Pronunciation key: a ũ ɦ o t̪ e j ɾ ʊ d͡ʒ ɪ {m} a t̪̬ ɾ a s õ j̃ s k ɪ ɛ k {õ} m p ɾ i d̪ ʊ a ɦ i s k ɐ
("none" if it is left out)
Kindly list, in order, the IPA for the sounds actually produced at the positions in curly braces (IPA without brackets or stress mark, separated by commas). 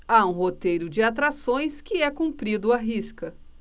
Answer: none, ũ